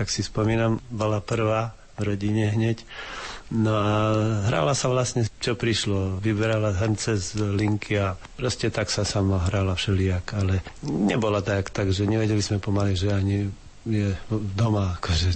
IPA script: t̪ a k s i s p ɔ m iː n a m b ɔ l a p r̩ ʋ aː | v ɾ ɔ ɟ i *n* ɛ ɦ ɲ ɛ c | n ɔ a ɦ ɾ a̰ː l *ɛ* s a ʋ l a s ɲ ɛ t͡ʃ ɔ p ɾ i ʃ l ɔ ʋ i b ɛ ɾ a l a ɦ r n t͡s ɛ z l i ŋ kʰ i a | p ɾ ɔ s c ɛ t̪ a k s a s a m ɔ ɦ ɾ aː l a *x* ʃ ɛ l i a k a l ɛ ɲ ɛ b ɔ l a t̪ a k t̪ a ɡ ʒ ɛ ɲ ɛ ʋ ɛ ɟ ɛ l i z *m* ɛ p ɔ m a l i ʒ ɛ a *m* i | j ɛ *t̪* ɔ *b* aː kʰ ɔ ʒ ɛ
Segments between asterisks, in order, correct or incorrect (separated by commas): incorrect, incorrect, incorrect, correct, incorrect, incorrect, incorrect